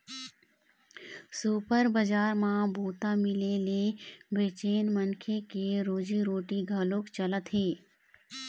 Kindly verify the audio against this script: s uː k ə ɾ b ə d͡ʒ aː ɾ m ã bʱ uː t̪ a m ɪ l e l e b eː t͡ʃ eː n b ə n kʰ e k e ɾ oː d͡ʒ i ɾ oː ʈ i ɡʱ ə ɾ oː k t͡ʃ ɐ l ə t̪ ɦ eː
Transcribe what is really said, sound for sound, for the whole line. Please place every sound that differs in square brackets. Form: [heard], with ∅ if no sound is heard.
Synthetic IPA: s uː [p] ə ɾ b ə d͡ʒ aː ɾ m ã bʱ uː t̪ a m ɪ l e l e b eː t͡ʃ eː n [m] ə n kʰ e k e ɾ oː d͡ʒ i ɾ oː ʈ i ɡʱ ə [l] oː k t͡ʃ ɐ l ə t̪ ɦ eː